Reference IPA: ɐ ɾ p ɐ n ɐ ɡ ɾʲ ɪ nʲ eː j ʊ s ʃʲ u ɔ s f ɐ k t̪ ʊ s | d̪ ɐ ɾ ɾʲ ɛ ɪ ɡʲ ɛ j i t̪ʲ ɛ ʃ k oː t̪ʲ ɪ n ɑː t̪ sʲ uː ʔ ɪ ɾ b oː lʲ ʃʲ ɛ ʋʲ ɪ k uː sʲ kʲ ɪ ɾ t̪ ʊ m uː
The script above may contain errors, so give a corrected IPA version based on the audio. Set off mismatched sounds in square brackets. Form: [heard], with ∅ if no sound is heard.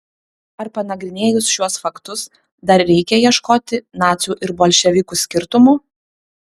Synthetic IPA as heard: ɐ ɾ p ɐ n ɐ ɡ ɾʲ ɪ nʲ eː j ʊ s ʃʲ u ɔ s f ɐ k t̪ ʊ s | d̪ ɐ ɾ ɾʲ ɛ ɪ [kʲ] ɛ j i [∅] ɛ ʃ k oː t̪ʲ ɪ n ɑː t̪ sʲ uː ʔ ɪ ɾ b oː lʲ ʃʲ ɛ ʋʲ ɪ k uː sʲ kʲ ɪ ɾ t̪ ʊ m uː